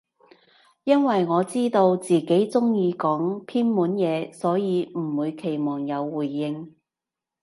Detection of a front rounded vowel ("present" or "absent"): absent